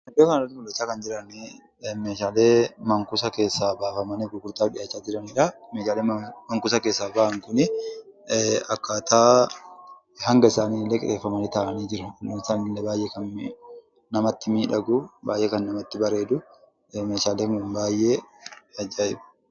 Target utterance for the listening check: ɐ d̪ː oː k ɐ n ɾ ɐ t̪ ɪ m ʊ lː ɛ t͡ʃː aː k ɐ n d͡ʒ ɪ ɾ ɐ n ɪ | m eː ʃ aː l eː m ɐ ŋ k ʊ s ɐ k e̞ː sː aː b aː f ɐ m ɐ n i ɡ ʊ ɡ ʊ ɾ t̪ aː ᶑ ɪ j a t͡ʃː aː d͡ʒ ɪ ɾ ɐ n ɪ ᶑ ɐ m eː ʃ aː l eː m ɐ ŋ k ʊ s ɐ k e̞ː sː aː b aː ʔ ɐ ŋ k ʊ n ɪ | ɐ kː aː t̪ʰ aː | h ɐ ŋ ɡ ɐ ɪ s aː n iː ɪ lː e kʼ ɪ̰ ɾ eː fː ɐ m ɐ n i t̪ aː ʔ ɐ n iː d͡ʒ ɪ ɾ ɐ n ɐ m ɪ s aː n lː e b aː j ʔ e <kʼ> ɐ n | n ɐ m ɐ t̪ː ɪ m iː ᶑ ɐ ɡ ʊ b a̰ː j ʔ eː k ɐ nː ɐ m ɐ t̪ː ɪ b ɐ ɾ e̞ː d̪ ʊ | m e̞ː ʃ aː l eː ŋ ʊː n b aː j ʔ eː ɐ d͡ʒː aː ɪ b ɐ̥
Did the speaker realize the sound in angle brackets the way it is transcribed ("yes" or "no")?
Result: no